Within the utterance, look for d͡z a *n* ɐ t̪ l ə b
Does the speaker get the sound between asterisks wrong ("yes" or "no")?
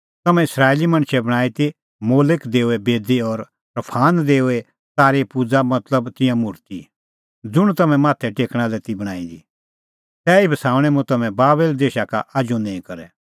yes